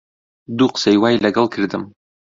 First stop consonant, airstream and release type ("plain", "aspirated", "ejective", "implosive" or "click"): plain